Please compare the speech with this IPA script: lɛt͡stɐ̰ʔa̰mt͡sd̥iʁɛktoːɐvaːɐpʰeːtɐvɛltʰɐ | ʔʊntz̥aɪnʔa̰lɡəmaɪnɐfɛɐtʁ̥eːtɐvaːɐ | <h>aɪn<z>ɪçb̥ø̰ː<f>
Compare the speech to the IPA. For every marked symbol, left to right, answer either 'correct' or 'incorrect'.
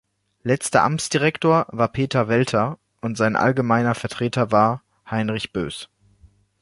correct, incorrect, incorrect

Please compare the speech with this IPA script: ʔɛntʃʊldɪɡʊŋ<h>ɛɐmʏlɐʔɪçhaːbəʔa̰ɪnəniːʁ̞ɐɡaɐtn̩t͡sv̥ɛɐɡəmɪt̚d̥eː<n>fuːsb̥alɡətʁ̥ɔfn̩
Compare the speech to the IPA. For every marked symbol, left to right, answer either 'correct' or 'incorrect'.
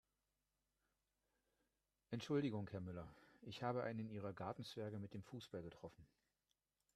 correct, incorrect

